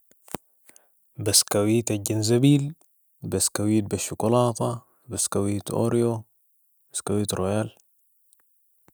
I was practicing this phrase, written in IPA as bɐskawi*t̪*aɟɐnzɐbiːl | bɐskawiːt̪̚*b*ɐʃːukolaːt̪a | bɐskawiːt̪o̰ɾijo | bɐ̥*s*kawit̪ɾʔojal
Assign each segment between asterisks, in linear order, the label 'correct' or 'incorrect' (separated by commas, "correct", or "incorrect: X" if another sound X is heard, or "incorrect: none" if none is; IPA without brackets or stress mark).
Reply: correct, correct, correct